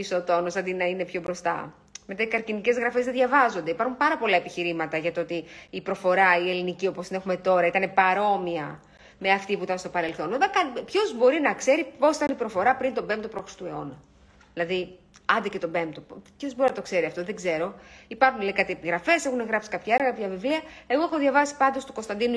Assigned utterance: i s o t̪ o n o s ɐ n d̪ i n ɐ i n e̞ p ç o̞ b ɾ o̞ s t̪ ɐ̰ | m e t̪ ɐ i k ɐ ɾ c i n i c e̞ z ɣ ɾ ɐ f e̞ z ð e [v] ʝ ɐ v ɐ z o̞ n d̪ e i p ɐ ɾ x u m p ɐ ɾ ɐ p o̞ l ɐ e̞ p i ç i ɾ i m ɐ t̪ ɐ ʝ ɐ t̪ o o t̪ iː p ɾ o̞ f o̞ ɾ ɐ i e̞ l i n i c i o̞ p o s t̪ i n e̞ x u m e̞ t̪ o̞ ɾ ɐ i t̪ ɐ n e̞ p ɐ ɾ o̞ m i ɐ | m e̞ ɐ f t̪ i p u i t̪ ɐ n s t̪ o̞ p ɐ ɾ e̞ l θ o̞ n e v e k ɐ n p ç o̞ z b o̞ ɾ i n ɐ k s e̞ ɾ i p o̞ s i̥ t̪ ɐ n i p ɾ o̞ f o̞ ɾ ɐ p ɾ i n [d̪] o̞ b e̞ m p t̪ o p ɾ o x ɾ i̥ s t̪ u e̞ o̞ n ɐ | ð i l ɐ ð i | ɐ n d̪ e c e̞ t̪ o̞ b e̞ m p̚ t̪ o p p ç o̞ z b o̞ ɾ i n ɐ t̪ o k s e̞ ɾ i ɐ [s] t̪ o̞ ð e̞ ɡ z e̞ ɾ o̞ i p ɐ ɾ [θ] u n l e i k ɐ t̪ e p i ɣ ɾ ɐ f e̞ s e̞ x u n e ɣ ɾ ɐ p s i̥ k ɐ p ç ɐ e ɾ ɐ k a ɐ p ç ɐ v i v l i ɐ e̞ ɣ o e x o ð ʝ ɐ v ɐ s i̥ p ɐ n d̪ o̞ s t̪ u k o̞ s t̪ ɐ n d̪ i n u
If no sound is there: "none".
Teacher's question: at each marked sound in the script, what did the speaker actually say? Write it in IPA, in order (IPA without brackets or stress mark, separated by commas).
ð, t̪, f, x